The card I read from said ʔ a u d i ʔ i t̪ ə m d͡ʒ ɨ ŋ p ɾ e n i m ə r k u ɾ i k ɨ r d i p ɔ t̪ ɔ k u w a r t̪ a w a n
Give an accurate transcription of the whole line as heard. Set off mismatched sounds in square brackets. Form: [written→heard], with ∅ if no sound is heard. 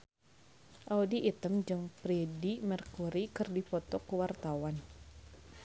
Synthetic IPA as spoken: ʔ a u d i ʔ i t̪ ə m d͡ʒ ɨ ŋ p ɾ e [n→d] i m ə r k u ɾ i k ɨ r d i p ɔ t̪ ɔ k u w a r t̪ a w a n

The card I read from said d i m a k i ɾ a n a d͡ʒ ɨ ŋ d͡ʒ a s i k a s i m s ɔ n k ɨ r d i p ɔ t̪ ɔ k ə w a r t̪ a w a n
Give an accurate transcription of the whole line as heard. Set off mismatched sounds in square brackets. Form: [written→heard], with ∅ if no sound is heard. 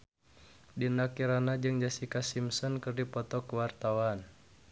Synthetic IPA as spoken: d i [m→n] a k i ɾ a n a d͡ʒ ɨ ŋ d͡ʒ a s i k a s i m s ɔ n k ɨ r d i p ɔ t̪ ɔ k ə w a r t̪ a w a n

